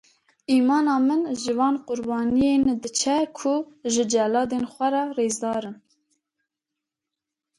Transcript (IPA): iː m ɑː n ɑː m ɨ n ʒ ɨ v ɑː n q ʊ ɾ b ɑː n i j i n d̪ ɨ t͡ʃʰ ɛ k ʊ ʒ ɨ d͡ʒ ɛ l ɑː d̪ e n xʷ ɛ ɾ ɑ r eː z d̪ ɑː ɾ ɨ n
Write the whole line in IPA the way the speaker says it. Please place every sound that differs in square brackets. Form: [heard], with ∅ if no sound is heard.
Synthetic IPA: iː m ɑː n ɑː m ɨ n ʒ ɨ v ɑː n q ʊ ɾ b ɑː n i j [e] n d̪ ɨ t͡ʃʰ ɛ [kʰ] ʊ ʒ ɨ d͡ʒ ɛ l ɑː d̪ e n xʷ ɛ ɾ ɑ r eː z d̪ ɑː ɾ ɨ n

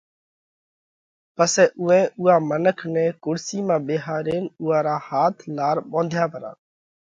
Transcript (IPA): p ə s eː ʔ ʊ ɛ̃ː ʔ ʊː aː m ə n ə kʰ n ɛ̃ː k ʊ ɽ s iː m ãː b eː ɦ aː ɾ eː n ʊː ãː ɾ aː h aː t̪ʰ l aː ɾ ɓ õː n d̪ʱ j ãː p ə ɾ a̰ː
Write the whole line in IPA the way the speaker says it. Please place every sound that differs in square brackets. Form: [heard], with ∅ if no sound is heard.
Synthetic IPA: p ə s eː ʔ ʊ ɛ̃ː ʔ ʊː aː m ə n ə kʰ n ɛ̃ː k ʊ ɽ s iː m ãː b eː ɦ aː ɾ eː n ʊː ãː ɾ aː h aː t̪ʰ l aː ɾ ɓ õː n d̪ʱ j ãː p ə ɾ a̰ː

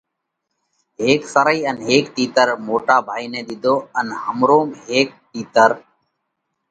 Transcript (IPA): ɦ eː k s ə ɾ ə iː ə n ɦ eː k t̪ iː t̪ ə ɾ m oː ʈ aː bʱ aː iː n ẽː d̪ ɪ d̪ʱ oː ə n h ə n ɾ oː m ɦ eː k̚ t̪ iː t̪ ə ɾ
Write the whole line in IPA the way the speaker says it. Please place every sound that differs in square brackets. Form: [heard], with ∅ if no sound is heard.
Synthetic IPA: ɦ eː k s ə ɾ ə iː ə n ɦ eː k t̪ iː t̪ ə ɾ m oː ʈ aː bʱ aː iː n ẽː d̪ ɪ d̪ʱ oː ə n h ə [m] ɾ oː m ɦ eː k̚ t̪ iː t̪ ə ɾ

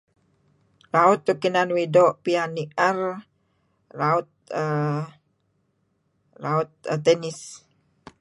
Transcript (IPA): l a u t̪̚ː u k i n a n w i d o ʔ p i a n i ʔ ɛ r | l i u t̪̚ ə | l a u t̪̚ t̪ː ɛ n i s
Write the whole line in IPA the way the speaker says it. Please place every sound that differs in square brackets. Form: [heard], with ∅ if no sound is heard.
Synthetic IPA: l a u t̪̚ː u k i n a n w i d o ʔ p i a n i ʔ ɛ r | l [a] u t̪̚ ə | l a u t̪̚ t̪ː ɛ n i s

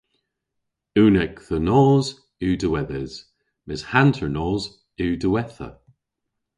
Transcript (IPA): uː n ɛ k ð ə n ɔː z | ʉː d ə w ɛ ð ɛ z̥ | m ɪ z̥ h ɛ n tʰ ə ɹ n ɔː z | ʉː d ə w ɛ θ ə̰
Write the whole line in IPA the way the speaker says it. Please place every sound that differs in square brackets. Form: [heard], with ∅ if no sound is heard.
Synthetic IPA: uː n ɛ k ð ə n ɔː z | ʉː d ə w ɛ ð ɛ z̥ | m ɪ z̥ h [a] n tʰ ə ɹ n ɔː z | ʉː d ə w ɛ θ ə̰

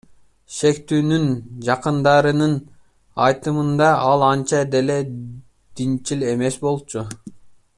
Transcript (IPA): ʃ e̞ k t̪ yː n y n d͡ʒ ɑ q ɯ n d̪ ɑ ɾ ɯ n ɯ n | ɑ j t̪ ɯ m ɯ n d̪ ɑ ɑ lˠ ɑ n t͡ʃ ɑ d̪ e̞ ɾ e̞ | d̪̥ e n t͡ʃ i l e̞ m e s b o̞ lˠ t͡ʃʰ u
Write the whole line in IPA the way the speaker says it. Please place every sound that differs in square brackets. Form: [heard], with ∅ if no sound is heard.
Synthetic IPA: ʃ e̞ k t̪ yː n y n d͡ʒ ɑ q ɯ n d̪ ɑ ɾ ɯ n ɯ n | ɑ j t̪ ɯ m ɯ n d̪ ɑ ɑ lˠ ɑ n t͡ʃ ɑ d̪ e̞ [l] e̞ | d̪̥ [i] n t͡ʃ i l e̞ m e s b o̞ lˠ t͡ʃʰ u

